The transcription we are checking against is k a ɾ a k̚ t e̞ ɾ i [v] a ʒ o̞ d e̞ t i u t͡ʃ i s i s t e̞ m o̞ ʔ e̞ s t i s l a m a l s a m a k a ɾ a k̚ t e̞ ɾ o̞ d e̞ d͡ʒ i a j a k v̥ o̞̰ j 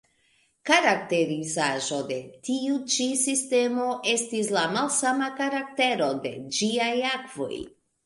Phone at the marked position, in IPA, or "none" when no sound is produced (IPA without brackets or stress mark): z